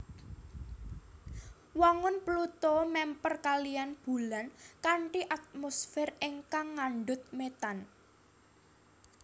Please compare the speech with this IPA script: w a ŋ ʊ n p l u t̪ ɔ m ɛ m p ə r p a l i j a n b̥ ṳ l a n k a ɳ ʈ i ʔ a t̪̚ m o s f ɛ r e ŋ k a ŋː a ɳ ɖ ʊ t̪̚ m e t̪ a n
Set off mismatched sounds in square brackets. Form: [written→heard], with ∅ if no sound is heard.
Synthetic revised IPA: w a ŋ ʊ n p l u t̪ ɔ m ɛ m p ə r [p→k] a l i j a n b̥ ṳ l a n k a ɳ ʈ i ʔ a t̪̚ m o s f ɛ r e ŋ k a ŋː a ɳ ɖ ʊ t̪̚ m e t̪ a n